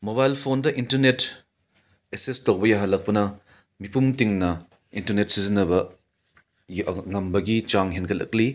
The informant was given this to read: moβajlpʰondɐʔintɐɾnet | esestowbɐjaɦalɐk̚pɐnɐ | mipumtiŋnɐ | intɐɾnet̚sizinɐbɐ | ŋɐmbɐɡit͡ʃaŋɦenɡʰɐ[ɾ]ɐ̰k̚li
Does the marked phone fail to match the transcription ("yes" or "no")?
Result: yes